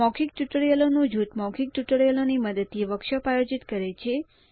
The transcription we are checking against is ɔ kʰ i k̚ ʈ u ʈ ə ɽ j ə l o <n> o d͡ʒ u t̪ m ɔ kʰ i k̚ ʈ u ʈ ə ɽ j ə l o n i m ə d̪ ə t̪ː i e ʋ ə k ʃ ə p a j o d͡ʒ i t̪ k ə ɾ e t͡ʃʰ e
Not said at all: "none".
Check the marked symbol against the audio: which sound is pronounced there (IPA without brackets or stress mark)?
n